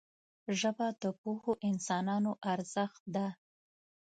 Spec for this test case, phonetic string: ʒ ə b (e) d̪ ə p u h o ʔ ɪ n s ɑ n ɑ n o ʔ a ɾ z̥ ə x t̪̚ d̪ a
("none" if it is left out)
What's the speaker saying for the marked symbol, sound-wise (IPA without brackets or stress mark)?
a